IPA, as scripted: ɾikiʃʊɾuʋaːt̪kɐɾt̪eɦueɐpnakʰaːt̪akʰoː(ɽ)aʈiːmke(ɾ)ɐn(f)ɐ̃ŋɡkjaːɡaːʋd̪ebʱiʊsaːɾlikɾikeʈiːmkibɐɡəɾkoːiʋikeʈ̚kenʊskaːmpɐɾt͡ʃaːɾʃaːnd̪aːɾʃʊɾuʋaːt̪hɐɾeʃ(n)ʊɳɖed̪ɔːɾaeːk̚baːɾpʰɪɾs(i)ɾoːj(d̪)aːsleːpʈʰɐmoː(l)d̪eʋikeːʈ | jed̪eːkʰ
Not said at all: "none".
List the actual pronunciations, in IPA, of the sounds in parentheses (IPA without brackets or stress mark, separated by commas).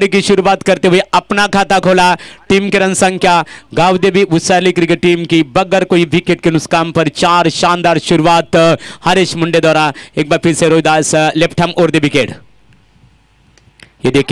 l, ɾ, s, m, e, d̪, ɾ